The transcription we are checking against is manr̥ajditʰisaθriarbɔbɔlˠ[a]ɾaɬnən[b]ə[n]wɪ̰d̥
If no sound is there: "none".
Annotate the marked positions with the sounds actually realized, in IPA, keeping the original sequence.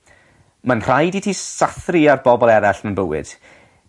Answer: ɛ, b, none

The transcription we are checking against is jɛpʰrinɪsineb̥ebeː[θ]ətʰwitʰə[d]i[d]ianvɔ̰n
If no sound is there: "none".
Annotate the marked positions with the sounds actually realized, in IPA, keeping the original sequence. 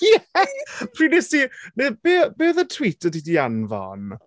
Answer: ð, d, d

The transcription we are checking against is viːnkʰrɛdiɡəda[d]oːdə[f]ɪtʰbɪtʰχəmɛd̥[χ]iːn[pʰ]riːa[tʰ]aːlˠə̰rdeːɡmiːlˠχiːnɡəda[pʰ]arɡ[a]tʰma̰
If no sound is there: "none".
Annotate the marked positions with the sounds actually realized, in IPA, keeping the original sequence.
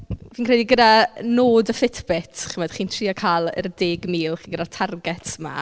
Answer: n, f, χ, tʰ, kʰ, tʰ, ɛ

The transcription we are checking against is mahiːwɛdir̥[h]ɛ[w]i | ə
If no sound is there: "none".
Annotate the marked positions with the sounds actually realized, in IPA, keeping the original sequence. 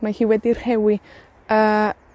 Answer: h, w

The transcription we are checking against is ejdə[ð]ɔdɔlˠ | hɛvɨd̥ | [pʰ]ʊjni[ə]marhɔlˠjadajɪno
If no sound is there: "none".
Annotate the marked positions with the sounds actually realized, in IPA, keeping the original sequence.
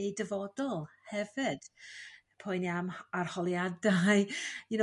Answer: v, pʰ, a

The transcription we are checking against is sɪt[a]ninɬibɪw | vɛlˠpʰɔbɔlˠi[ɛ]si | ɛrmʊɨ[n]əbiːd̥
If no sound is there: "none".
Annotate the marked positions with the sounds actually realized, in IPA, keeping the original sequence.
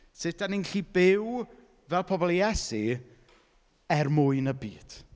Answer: a, ɛ, n

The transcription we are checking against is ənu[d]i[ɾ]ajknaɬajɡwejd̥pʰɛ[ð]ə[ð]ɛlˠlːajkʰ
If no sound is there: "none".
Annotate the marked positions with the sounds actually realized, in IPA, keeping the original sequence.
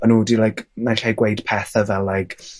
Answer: d, l, θ, v

